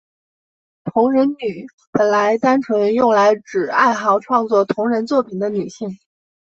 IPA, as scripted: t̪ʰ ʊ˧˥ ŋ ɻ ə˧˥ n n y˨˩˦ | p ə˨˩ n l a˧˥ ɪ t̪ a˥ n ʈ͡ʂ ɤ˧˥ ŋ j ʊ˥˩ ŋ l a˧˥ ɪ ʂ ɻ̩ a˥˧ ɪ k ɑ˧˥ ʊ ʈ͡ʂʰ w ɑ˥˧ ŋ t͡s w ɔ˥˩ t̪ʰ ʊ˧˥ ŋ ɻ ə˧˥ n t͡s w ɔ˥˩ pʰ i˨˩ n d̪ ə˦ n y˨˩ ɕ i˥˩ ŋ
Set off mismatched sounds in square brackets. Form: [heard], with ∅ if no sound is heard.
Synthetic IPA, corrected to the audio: t̪ʰ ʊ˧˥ ŋ ɻ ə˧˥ n n y˨˩˦ | p ə˨˩ n l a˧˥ ɪ t̪ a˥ n [ʈ͡ʂʰ] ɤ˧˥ ŋ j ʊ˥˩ ŋ l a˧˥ ɪ [ʈ͡ʂ] ɻ̩ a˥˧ ɪ [x] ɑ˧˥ ʊ ʈ͡ʂʰ w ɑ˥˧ ŋ t͡s w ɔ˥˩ t̪ʰ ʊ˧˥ ŋ ɻ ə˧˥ n t͡s w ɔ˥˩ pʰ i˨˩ n d̪ ə˦ n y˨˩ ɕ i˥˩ ŋ